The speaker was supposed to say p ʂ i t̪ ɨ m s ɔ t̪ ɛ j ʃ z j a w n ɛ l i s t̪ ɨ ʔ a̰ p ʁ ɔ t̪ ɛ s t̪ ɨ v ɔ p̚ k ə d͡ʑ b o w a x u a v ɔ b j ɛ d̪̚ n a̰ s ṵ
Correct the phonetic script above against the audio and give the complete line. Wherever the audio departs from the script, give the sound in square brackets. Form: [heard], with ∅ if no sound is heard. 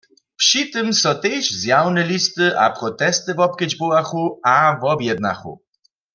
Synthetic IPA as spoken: p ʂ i t̪ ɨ m s ɔ t̪ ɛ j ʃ z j a w n ɛ l i s t̪ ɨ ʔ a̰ p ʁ ɔ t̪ ɛ s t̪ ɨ v ɔ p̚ k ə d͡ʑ b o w a x u a v ɔ b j ɛ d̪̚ n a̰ [x] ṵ

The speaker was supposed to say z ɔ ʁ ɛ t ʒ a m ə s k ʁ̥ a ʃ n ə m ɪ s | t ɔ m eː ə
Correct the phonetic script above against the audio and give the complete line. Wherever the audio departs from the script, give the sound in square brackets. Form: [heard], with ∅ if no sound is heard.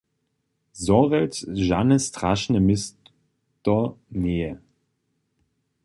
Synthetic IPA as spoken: z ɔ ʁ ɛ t ʒ a [n] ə s [t] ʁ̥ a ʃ n ə m ɪ s | t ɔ [n] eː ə

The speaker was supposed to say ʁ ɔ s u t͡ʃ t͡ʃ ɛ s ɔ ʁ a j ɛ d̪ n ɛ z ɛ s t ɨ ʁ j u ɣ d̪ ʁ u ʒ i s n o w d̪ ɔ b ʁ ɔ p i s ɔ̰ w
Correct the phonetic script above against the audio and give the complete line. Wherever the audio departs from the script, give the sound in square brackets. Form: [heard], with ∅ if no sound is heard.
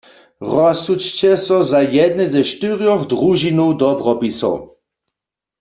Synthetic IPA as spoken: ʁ ɔ s u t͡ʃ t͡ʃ ɛ s ɔ [z] a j ɛ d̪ n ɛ z ɛ [ʃ] t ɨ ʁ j [ɔ] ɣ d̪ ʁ u ʒ i [∅] n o w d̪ ɔ b ʁ ɔ p i s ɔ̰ w

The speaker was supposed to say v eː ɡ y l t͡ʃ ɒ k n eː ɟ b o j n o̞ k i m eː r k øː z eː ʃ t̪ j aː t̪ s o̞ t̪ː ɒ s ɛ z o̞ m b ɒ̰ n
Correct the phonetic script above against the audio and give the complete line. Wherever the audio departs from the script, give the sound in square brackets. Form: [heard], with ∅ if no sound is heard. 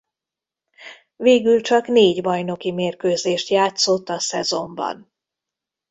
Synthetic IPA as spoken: v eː ɡ y l t͡ʃ ɒ k n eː ɟ b [ɒ] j n o̞ k i m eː r k øː z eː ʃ t̪ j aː t̪ s o̞ t̪ː ɒ s ɛ z o̞ m b ɒ̰ n

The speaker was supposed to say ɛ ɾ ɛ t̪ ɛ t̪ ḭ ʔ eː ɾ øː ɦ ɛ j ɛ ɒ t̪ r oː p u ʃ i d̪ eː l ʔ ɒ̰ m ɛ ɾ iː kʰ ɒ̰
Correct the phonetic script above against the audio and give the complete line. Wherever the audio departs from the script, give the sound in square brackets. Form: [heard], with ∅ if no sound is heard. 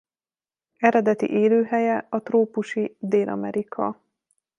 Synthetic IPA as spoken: ɛ ɾ ɛ [d̪] ɛ t̪ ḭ ʔ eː [l] øː ɦ ɛ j ɛ ɒ t̪ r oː p u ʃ i d̪ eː l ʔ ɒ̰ m ɛ ɾ [i] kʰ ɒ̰

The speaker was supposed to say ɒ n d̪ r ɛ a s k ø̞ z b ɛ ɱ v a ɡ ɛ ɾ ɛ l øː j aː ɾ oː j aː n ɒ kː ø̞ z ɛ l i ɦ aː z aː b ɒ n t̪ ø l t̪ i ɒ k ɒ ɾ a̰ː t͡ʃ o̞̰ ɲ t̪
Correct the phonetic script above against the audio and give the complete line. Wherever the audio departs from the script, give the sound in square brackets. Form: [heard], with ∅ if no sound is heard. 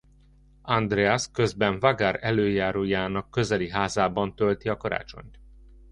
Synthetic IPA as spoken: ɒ n d̪ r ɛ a s k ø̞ z b ɛ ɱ v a ɡ [a] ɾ ɛ l øː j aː ɾ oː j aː n ɒ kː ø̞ z ɛ l i ɦ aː z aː b ɒ n t̪ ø l t̪ i ɒ k ɒ ɾ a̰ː t͡ʃ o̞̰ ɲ t̪

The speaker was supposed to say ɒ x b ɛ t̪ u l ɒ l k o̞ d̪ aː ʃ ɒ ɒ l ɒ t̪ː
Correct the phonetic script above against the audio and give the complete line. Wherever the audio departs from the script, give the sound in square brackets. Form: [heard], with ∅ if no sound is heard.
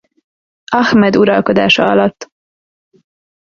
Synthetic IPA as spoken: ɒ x [m] ɛ [d̪] u [ɾ] ɒ l k o̞ d̪ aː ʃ ɒ ɒ l ɒ t̪ː

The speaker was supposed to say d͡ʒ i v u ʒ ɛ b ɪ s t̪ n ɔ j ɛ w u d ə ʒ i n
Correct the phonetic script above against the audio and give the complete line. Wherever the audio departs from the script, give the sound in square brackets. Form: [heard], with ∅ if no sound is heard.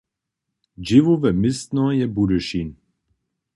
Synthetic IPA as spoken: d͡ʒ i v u [v] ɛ [m] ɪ s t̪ n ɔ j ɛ [b] u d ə [ʃ] i n

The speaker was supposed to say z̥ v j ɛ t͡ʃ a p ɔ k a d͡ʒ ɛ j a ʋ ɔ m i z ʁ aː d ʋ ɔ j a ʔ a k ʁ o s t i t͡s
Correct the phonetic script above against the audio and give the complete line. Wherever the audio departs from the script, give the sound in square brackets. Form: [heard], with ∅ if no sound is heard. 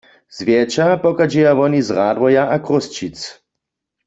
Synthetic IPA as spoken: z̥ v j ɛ t͡ʃ a p ɔ k a d͡ʒ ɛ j a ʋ ɔ [n] i z ʁ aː d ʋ ɔ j a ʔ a k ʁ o s [t͡ʃ] i t͡s

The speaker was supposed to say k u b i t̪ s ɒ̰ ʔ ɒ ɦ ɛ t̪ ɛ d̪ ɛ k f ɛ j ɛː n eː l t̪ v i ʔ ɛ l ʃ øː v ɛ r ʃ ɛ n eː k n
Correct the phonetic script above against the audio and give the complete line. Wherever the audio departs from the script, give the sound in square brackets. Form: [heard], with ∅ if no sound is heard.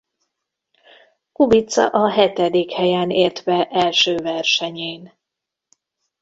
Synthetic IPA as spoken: k u b i t̪ s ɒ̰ ʔ ɒ ɦ ɛ t̪ ɛ d̪ [i] k [h] ɛ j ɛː n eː [r] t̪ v [ɛ] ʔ ɛ l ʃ øː v ɛ r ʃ ɛ [ɲ] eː [∅] n

